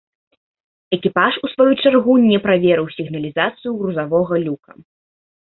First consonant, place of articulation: velar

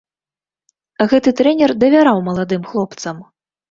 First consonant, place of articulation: velar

